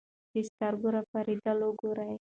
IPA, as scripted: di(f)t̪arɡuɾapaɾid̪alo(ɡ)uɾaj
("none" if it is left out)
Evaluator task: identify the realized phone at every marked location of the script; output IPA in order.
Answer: s, ɡ

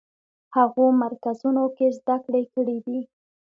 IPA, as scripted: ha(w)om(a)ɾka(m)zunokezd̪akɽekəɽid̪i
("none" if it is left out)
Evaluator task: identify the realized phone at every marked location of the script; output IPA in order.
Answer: ɣ, a, none

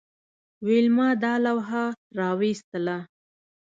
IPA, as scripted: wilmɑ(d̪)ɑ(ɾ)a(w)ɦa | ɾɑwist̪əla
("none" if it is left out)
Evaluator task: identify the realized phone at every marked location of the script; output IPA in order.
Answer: d̪, l, w

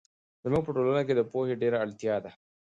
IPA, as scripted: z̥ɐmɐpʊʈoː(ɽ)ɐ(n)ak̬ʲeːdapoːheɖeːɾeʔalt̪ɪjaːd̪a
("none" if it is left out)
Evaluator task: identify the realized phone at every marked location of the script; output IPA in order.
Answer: l, n

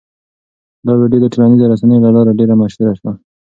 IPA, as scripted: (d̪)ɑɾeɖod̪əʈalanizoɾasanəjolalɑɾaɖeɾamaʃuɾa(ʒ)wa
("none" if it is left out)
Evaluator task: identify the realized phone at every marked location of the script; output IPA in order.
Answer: d̪, ʃ

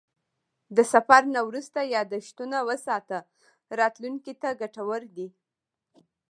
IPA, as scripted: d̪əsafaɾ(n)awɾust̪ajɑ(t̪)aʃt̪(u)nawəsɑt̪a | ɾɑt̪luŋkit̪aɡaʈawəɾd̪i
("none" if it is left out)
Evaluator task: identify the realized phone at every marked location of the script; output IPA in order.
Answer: n, d̪, u

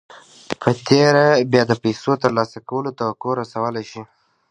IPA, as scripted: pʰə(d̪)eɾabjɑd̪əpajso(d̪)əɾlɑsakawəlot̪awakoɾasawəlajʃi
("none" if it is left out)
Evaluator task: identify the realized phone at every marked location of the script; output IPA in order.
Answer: t̪, t̪

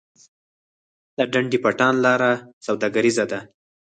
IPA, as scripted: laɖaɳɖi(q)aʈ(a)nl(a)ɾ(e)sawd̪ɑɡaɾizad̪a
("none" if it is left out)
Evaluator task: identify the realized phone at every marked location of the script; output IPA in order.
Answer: p, ɑ, ɑ, a

